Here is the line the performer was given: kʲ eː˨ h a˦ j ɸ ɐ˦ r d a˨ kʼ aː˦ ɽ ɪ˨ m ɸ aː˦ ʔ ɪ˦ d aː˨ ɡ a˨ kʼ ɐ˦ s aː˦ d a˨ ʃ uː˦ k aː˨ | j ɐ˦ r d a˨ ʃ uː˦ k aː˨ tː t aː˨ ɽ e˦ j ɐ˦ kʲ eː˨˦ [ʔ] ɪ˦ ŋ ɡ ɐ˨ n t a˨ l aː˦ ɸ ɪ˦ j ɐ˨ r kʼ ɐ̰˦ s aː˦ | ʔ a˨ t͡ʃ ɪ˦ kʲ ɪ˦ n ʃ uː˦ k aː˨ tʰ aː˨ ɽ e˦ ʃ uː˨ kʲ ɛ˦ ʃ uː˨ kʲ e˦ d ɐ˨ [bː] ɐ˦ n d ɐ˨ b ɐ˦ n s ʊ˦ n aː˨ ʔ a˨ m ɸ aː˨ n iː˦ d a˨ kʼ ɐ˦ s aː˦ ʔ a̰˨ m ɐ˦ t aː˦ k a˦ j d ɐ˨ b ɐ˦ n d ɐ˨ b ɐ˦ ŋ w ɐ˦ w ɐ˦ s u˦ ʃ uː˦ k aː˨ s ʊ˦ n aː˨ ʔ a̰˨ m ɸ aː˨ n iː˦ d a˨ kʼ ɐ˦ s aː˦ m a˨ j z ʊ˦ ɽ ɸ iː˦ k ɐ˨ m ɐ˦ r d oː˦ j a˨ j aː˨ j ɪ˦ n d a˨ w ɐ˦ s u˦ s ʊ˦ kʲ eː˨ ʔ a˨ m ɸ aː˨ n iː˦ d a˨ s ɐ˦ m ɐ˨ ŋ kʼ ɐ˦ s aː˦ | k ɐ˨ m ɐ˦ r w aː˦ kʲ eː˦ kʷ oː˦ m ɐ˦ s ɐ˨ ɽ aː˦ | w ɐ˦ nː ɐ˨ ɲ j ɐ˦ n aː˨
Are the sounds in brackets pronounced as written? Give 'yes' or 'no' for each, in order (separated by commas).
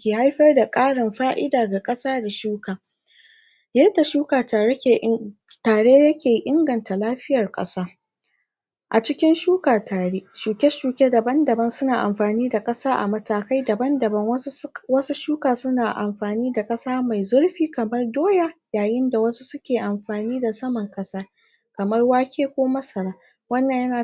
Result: yes, no